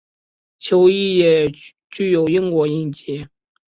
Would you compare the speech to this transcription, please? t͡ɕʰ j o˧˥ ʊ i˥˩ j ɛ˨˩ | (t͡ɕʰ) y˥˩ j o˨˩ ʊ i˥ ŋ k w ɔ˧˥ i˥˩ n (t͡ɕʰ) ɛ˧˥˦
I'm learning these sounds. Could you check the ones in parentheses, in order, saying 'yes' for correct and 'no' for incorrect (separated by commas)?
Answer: no, no